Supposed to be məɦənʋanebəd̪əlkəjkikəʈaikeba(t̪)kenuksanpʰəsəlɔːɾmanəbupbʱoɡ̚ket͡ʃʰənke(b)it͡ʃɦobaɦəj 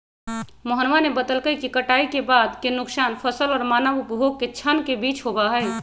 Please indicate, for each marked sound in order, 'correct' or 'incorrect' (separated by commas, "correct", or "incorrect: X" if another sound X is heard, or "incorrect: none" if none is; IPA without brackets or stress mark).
incorrect: d̪, correct